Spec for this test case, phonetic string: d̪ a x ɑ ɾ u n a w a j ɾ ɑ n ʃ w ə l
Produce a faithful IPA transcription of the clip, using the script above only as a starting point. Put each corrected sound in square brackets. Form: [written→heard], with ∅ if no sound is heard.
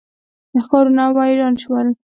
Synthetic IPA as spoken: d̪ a x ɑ ɾ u n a w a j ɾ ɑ n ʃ w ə l